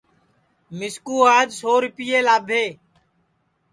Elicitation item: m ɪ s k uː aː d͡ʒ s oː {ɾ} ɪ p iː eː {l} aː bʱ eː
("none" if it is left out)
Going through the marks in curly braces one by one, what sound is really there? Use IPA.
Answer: ɾ, l

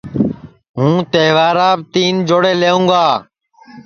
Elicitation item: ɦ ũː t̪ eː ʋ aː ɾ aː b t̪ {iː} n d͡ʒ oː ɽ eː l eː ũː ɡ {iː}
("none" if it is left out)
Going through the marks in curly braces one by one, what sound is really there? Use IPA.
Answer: iː, aː

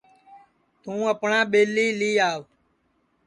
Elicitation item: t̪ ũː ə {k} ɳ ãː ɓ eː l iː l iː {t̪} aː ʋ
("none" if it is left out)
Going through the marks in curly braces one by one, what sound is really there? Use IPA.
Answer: p, none

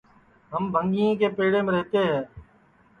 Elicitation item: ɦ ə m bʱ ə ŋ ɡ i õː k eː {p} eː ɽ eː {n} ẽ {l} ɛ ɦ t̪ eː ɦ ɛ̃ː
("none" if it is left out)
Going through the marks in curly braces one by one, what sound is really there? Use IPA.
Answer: p, m, ɾ

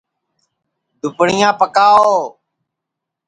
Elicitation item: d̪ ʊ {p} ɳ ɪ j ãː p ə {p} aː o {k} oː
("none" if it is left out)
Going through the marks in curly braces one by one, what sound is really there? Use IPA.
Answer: p, k, none

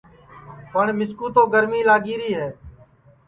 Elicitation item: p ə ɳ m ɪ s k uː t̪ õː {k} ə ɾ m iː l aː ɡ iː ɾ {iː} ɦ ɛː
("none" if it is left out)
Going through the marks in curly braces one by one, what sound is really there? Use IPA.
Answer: ɡ, iː

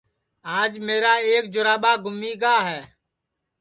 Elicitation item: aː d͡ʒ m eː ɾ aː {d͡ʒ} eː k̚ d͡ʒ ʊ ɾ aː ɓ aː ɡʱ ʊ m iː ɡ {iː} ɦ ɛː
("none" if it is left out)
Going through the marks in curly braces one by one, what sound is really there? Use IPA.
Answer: none, aː

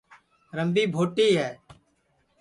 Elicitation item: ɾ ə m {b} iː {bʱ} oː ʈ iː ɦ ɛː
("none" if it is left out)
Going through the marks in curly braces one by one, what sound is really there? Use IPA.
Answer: b, bʱ

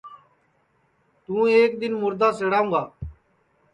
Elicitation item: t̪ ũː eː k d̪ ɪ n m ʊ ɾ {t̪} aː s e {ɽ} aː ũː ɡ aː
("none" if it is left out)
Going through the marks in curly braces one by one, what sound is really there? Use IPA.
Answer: d̪, ɽ

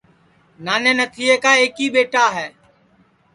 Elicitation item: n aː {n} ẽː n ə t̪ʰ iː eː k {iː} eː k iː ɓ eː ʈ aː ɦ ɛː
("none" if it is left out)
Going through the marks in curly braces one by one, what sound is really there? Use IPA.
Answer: n, aː

